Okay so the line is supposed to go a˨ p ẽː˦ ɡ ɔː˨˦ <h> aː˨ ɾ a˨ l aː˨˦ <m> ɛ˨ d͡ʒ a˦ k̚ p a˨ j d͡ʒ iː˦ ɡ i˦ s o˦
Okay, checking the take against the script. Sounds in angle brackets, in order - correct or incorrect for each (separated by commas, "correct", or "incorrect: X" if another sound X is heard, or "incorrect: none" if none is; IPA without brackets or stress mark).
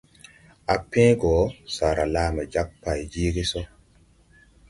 incorrect: s, correct